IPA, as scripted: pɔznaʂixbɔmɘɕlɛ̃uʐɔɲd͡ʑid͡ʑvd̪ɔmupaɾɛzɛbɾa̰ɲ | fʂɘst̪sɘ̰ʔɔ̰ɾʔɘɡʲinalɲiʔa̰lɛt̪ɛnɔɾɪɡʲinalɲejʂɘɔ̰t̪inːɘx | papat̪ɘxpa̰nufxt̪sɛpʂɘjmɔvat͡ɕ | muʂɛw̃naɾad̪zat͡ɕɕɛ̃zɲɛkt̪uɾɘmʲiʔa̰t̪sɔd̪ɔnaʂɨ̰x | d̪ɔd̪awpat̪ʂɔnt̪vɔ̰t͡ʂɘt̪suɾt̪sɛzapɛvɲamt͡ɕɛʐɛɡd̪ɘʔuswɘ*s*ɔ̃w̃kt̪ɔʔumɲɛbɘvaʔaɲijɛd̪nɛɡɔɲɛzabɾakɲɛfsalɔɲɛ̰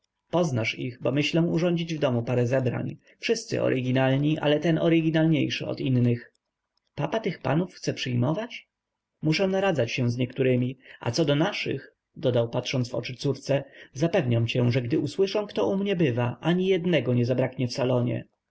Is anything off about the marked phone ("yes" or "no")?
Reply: yes